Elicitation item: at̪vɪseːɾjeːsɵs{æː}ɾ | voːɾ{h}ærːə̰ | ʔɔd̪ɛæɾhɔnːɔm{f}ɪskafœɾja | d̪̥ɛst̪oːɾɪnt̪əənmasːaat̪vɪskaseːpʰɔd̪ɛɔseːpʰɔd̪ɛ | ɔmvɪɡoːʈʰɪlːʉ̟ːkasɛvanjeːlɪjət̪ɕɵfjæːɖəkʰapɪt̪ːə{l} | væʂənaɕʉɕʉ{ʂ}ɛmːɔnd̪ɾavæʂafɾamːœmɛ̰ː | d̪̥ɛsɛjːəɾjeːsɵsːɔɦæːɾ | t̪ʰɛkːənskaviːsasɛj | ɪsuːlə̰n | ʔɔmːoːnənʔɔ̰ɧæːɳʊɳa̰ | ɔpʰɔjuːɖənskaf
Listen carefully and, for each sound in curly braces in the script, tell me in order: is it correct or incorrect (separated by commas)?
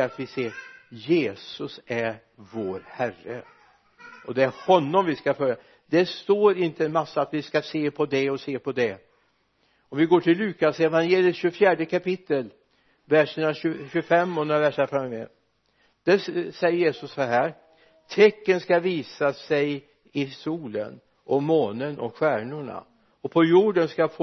incorrect, correct, incorrect, correct, incorrect